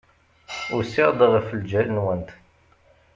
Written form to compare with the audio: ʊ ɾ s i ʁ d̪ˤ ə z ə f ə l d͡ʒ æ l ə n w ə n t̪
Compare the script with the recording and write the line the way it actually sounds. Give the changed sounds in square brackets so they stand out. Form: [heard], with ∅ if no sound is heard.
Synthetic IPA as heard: ʊ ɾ s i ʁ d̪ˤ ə [ʁ] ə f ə l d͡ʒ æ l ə n w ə n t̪